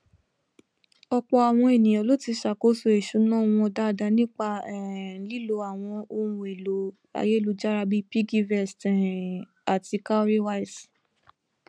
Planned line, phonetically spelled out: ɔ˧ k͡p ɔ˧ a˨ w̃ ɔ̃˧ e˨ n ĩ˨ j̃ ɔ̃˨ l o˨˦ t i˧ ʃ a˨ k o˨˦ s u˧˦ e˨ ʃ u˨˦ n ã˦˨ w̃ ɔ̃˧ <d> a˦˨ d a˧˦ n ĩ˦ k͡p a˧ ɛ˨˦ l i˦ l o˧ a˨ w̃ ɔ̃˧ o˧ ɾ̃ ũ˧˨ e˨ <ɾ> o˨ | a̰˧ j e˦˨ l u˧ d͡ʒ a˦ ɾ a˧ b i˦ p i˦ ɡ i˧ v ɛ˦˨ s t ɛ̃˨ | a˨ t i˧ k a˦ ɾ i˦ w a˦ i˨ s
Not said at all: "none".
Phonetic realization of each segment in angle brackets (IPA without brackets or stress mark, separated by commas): d, l